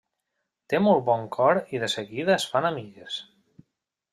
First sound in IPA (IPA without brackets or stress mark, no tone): t̪